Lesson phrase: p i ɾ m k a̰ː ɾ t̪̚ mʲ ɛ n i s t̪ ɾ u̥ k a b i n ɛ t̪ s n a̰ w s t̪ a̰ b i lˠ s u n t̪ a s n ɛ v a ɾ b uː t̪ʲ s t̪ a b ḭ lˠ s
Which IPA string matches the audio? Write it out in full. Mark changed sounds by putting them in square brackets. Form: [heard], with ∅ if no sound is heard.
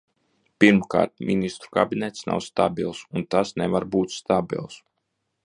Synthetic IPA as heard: p i ɾ m k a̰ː ɾ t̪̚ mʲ [i] n i s t̪ ɾ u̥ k a b i n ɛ t̪ s n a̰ w s t̪ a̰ b i lˠ s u n t̪ a s n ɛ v a ɾ b uː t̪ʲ s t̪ a b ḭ lˠ s